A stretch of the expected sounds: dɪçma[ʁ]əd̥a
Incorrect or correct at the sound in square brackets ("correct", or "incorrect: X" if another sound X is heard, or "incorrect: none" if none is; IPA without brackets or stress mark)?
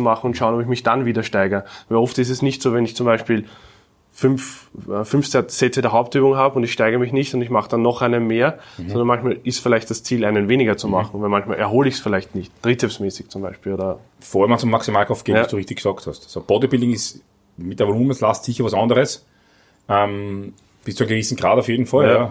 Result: incorrect: χ